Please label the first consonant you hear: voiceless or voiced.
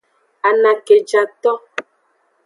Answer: voiced